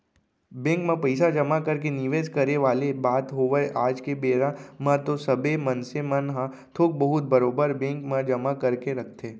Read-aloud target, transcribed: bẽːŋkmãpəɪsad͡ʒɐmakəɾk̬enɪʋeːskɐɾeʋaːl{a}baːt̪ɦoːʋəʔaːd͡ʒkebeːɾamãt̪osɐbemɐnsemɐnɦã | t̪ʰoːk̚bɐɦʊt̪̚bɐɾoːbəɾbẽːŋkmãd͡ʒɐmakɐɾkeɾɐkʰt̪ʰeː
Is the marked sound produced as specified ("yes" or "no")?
no